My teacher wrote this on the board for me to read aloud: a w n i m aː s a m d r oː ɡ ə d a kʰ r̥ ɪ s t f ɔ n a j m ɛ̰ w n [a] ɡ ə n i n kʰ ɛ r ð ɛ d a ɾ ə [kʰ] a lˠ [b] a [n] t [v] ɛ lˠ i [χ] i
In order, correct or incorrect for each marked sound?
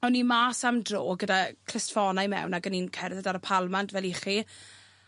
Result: correct, incorrect, incorrect, correct, correct, correct

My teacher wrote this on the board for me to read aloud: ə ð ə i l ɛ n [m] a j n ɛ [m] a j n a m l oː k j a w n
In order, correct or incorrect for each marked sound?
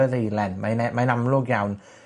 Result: correct, correct

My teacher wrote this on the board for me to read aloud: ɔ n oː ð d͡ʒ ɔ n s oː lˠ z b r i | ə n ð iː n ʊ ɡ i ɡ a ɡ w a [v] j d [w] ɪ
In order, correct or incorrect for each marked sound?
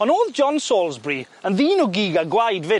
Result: incorrect, incorrect

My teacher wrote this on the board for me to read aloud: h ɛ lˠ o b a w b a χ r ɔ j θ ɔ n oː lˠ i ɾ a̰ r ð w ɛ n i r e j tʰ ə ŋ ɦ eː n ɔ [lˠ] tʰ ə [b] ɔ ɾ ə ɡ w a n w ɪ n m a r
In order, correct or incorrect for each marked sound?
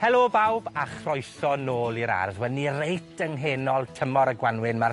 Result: correct, incorrect

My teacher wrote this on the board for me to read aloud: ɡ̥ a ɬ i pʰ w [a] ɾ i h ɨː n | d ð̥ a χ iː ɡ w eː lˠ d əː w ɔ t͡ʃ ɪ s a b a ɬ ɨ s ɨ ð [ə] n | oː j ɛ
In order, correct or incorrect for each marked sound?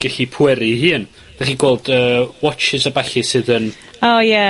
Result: incorrect, correct

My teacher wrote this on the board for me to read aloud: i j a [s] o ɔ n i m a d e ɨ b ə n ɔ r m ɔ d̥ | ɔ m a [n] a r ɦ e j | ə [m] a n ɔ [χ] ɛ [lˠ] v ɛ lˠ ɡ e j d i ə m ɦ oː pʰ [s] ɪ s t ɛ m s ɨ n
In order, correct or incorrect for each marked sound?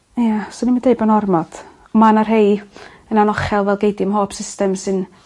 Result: correct, correct, incorrect, correct, correct, correct

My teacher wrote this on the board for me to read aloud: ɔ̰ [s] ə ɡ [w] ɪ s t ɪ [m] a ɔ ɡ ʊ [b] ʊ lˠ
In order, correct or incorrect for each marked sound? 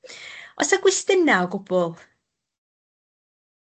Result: correct, correct, incorrect, correct

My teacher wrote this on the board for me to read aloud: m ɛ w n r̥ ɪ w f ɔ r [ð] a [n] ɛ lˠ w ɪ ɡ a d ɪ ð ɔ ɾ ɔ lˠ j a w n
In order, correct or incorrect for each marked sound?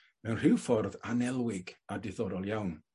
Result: correct, correct

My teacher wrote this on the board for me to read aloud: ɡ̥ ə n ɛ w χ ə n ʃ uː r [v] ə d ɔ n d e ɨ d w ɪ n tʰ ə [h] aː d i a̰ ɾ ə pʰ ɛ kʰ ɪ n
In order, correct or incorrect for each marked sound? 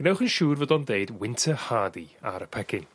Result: correct, correct

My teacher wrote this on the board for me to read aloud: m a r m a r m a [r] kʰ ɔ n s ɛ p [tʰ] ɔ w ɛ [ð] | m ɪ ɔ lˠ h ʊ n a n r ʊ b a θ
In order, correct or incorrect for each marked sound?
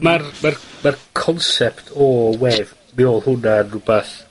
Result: correct, correct, incorrect

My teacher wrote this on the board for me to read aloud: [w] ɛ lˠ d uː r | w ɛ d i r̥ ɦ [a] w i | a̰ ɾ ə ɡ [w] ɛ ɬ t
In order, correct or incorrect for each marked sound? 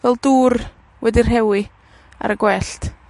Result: incorrect, incorrect, correct

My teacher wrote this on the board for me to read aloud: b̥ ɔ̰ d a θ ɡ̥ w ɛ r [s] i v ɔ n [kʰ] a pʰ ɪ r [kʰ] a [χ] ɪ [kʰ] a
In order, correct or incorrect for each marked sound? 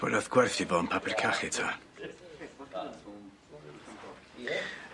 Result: incorrect, incorrect, correct, correct, incorrect

